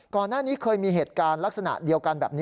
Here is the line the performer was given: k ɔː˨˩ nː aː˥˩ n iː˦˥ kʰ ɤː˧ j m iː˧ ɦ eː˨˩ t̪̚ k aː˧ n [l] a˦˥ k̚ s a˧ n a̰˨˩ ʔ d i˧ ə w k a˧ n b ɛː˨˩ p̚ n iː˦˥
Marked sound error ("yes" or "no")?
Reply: no